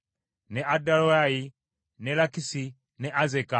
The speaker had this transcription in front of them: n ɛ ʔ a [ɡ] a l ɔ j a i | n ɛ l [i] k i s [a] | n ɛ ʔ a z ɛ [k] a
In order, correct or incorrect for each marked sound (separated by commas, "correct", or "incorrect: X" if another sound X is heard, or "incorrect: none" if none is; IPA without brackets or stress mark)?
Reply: incorrect: d, incorrect: a, incorrect: i, correct